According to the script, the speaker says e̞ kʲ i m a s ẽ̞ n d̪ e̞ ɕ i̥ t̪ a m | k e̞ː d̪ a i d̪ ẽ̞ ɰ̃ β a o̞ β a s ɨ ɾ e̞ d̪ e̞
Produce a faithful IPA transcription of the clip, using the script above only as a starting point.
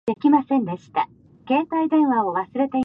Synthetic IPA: e̞ kʲ i m a s ẽ̞ n d̪ e̞ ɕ i̥ t̪ a | k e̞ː t̪ a i d̪ ẽ̞ ɰ̃ β a o̞ β a s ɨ ɾ e̞ t̪ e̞